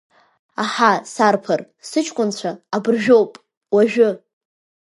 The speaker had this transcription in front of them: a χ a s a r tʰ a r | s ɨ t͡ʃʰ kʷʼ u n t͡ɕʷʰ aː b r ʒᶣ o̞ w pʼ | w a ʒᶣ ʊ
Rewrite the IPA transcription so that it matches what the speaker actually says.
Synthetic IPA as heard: a ħ a s a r pʰ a r | s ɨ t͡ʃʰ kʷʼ ʊ n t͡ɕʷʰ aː b r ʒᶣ o̞ w pʼ | w a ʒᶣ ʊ

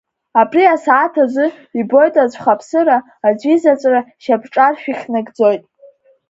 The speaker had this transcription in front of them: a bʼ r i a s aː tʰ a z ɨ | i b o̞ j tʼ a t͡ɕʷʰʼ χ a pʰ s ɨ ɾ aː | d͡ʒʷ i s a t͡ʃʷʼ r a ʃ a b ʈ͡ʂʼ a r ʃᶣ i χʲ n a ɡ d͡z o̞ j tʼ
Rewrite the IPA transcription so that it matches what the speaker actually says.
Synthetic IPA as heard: a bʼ r i a s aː tʰ a z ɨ | i b o̞ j tʼ a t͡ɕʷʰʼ χ a pʰ s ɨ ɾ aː | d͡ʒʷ i z a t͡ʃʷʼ r a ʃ a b ʈ͡ʂʼ a r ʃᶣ i χʲ n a ɡ d͡z o̞ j tʼ

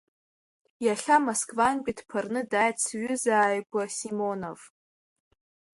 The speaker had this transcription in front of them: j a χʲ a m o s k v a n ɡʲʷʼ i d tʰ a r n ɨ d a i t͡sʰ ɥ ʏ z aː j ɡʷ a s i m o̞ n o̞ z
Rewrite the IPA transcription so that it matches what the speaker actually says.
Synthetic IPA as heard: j a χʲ a m o s k v a n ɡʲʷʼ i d pʰ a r n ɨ d a j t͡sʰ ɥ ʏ z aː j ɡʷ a s i m o̞ n o̞ v

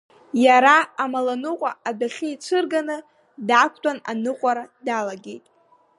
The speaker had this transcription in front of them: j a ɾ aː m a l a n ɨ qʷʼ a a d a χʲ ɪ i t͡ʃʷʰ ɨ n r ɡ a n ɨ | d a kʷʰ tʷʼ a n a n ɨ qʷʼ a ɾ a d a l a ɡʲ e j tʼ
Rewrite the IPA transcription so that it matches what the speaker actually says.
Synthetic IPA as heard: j a ɾ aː m a l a n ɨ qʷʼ a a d a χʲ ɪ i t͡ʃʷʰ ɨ r ɡ a n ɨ | d a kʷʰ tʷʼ a n a n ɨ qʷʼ a ɾ a d a l a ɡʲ e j tʼ

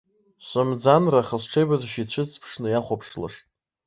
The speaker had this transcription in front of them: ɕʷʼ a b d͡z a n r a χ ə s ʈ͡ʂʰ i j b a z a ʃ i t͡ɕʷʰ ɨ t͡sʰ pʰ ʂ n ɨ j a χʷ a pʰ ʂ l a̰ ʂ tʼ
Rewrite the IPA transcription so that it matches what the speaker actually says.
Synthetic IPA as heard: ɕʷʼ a m d͡z a n r a χ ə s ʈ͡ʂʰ e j b a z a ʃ i t͡ɕʷʰ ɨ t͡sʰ pʰ ʂ n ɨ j a χʷ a pʰ ʂ l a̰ ʂ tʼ

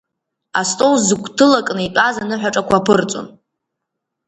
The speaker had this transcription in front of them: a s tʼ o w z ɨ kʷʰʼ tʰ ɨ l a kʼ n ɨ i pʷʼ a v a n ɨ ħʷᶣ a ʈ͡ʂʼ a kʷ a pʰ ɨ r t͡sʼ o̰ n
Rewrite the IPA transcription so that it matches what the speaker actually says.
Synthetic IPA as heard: a s tʼ o w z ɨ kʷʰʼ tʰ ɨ l a kʼ n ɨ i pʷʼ a z a n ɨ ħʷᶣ a ʈ͡ʂʼ a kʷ a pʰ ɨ r t͡sʼ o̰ n

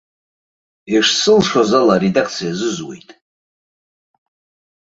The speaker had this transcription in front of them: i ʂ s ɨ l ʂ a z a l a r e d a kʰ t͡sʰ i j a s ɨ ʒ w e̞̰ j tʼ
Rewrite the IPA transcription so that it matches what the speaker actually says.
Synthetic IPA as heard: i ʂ s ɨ l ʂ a z a l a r e d a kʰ t͡sʰ i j a z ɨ z w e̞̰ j tʼ

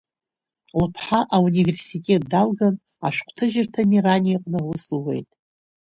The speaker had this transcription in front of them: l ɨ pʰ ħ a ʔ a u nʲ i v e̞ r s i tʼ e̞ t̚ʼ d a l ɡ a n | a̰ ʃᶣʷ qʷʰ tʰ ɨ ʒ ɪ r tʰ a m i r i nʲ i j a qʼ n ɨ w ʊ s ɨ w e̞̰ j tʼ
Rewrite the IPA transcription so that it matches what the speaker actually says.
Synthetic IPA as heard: l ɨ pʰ ħ a ʔ a u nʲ i v e̞ r s i tʼ e̞ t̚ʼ d a l ɡ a n | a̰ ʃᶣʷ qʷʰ tʰ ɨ ʒ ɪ r tʰ a m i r a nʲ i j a qʼ n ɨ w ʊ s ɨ w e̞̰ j tʼ

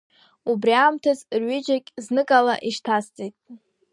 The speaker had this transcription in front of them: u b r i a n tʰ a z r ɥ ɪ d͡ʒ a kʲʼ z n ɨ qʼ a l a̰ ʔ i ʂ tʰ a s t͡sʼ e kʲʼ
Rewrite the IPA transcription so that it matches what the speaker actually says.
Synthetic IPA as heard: u b r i a m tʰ a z r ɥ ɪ d͡ʒ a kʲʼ z n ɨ kʼ a l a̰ ʔ i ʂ tʰ a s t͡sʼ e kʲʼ

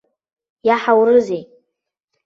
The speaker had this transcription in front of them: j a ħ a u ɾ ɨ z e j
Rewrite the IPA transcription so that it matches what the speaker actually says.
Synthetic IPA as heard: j a ħ a w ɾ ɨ z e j

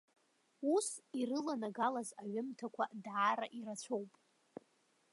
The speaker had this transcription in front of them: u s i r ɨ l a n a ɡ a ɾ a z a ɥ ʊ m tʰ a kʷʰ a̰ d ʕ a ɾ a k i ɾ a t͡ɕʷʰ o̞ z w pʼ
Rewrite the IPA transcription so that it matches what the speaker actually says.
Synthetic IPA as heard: u s i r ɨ l a n a ɡ a l a z a ɥ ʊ m tʰ a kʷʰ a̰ d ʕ a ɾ a ʔ i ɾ a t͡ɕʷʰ o̞ w pʼ

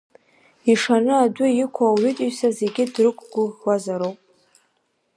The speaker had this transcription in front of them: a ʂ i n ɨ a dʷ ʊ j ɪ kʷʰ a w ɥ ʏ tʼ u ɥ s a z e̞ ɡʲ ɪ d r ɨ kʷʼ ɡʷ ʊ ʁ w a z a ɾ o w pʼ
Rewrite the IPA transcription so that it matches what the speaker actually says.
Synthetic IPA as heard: i ʂ a n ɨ a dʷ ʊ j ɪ kʷʰ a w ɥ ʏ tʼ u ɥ s a z e̞ ɡʲ ɪ d r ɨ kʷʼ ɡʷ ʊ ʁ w a z a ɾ o w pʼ

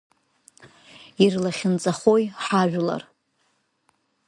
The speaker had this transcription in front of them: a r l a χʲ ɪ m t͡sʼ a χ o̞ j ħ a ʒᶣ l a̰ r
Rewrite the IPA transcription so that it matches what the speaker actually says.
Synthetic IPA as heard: i r l a χʲ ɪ n t͡sʼ a χ o̞ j ħ a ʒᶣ l a̰ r

